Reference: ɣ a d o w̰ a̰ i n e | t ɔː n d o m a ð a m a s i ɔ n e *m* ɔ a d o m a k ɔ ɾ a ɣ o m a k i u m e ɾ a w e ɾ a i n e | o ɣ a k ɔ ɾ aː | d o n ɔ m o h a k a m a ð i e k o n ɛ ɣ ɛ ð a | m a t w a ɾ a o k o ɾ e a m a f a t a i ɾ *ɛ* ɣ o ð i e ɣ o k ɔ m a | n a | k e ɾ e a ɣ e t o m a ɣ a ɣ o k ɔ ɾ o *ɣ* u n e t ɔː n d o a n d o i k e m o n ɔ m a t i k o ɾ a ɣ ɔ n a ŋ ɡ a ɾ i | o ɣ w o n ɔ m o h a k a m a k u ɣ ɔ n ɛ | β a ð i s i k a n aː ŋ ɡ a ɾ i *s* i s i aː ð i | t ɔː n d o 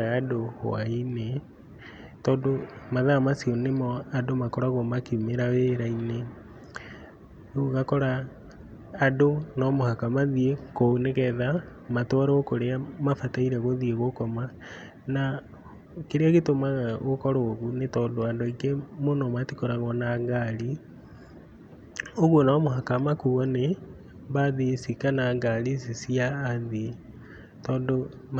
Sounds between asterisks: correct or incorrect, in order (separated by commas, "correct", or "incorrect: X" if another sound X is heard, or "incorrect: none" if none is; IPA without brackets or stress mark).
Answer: correct, correct, correct, correct